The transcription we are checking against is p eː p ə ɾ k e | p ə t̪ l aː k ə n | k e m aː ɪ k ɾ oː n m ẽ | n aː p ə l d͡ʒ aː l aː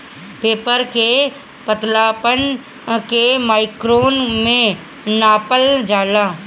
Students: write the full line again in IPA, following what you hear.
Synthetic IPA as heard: p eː p ə ɾ k e | p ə t̪ l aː p ə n | k e m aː ɪ k ɾ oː n m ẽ | n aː p ə l d͡ʒ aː l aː